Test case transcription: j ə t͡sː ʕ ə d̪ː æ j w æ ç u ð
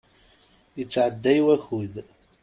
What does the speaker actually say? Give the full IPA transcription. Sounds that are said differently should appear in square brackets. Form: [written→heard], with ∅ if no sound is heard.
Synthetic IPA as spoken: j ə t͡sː ʕ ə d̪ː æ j w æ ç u ð